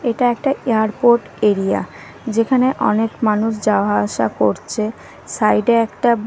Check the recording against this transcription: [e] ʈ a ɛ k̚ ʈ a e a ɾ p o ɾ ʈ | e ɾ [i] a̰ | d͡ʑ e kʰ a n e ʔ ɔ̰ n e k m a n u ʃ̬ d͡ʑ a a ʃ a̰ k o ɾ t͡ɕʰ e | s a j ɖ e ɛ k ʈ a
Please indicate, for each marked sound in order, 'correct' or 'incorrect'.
correct, correct

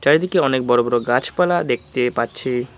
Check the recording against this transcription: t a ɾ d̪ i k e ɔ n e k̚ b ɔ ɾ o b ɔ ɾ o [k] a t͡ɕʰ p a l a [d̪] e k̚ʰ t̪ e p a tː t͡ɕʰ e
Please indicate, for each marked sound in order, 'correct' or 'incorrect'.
incorrect: ɡ, correct

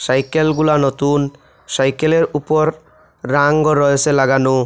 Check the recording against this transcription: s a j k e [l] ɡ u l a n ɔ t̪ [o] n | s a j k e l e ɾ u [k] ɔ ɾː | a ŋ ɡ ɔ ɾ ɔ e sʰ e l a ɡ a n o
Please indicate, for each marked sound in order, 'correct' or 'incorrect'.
correct, incorrect: u, incorrect: p

